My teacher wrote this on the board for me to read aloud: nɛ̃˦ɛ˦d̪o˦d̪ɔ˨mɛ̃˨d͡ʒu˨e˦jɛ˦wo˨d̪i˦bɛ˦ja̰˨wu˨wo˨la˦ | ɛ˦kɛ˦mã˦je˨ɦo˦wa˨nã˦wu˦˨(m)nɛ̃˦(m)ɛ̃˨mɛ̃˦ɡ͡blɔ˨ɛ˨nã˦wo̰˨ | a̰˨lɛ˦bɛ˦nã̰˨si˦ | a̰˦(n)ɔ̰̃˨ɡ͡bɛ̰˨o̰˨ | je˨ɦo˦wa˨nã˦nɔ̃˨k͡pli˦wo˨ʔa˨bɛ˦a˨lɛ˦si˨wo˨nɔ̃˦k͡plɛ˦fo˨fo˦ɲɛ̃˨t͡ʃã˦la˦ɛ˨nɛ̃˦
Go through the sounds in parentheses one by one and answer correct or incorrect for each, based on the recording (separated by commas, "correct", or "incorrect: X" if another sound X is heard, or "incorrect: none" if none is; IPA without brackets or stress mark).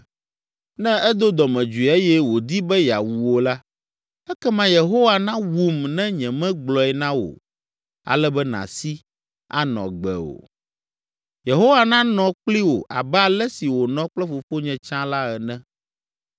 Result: correct, incorrect: ɲ, correct